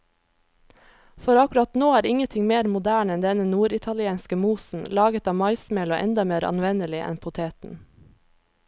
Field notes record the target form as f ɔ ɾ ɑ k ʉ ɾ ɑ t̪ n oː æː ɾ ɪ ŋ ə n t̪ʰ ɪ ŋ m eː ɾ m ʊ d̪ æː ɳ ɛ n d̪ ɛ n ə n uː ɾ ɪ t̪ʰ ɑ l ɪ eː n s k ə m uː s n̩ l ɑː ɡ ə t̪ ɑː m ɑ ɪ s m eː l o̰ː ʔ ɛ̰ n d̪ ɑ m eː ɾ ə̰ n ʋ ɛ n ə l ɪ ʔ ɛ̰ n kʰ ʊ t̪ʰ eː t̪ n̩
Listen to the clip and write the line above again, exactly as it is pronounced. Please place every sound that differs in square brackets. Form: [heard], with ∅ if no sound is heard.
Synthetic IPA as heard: f ɔ ɾ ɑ k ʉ ɾ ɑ t̪ n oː æː ɾ ɪ ŋ ə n t̪ʰ ɪ ŋ m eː ɾ m ʊ d̪ æː ɳ ɛ n d̪ ɛ n ə n uː ɾ ɪ t̪ʰ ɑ l ɪ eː n s k ə m uː s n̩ l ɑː ɡ ə t̪ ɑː m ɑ ɪ s m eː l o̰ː ʔ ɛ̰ n d̪ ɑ m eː ɾ [ɑ̰] n ʋ ɛ n ə l ɪ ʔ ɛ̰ n [pʰ] ʊ t̪ʰ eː t̪ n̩